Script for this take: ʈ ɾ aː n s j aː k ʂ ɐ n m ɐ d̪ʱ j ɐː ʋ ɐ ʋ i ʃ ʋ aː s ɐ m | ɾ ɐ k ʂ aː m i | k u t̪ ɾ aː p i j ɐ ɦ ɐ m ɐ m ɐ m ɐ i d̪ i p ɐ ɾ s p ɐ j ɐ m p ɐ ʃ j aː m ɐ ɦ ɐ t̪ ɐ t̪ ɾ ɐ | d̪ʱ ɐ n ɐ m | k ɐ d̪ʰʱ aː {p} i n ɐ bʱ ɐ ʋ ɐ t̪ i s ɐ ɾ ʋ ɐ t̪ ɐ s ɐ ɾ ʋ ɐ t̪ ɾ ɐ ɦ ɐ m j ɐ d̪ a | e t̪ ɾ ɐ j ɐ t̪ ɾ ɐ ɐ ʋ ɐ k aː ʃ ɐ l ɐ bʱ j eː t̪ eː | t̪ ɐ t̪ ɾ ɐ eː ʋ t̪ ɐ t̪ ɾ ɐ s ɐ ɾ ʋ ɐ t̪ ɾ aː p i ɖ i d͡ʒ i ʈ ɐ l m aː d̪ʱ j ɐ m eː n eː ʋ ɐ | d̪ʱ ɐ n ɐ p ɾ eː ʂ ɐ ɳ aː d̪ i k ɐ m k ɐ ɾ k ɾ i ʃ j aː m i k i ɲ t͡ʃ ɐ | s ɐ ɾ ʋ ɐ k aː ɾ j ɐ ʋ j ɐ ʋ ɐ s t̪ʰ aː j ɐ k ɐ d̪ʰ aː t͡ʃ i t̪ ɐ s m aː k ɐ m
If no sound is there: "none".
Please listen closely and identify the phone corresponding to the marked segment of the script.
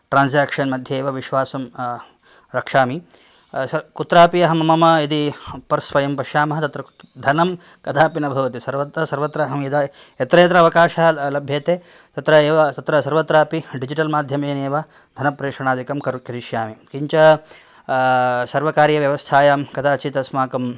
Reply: p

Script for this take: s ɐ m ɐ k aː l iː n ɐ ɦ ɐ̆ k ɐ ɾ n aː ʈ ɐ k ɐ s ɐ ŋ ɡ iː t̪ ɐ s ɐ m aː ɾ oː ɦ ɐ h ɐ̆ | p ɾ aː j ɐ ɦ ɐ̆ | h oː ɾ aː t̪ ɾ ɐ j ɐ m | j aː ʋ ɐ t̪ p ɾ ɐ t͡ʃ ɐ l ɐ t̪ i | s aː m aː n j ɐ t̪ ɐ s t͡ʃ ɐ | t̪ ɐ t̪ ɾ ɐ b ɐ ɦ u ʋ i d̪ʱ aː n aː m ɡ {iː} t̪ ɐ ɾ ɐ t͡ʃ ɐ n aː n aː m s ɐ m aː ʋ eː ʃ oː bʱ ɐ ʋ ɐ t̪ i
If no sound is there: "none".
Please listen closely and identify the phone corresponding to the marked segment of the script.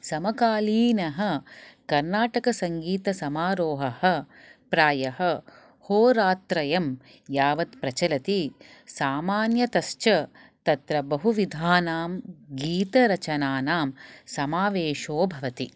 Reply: iː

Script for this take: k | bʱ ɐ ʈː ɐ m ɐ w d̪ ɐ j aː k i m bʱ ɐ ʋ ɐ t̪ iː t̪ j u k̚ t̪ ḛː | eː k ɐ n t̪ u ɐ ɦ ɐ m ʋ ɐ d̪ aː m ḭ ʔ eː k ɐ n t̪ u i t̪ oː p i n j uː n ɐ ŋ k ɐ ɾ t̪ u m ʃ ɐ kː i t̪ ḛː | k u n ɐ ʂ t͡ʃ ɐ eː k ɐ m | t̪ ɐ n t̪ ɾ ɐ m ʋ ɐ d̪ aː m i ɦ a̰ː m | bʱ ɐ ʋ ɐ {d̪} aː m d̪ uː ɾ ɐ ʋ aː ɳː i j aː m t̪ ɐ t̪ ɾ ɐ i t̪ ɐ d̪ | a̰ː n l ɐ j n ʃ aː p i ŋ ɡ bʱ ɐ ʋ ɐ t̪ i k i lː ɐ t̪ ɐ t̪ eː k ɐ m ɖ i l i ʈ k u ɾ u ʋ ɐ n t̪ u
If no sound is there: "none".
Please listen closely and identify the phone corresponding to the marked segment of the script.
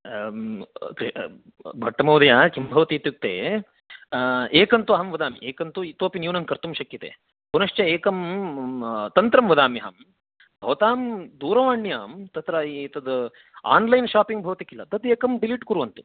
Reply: t̪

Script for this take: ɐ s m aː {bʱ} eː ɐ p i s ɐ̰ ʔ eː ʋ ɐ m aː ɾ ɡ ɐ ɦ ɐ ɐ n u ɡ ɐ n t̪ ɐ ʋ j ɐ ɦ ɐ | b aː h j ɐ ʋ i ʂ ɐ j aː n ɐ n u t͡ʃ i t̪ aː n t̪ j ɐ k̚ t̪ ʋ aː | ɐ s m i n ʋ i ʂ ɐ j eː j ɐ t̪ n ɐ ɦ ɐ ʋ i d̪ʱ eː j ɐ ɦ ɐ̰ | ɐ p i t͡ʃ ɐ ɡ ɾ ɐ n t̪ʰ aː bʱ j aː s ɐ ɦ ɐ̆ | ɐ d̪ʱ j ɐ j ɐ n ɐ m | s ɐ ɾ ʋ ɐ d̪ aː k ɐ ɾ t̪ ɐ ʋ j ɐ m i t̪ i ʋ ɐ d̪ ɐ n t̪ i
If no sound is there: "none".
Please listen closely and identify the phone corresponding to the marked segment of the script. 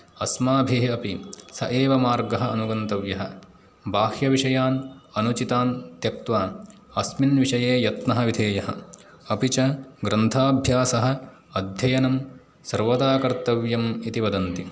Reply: bʱ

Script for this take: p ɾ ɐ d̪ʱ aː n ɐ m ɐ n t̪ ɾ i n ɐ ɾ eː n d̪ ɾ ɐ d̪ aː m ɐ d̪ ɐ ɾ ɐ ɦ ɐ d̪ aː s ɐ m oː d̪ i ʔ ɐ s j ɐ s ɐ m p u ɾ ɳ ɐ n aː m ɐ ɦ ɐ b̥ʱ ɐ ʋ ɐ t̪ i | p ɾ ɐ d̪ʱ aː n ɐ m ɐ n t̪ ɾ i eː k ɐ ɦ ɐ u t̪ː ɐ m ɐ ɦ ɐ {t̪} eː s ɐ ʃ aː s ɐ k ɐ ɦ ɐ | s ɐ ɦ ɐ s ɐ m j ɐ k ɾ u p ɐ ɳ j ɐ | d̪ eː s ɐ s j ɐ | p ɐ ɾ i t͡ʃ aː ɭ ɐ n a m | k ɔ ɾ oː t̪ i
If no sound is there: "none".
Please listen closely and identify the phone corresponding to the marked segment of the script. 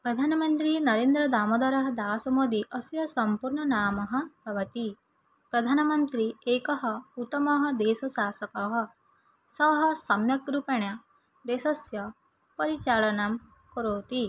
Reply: d̪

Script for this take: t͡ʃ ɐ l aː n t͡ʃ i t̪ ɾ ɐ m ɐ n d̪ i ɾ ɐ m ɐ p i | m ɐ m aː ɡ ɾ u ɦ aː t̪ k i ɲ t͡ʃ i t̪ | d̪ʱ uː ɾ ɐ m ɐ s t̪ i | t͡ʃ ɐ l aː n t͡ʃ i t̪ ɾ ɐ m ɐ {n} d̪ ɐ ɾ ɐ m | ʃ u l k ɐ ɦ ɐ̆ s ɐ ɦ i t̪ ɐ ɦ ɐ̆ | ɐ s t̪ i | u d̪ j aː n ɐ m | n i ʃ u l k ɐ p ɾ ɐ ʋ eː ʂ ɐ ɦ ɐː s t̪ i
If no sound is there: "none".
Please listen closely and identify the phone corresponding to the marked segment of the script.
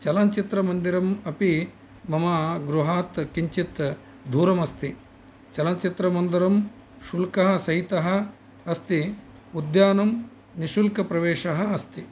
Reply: n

